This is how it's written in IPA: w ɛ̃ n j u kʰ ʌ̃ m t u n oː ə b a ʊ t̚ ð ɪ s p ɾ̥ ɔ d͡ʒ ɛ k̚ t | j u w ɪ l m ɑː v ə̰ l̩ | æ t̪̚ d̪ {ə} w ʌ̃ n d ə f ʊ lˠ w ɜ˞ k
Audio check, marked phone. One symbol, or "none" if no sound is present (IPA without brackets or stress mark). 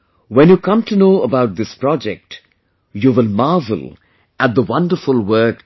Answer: ə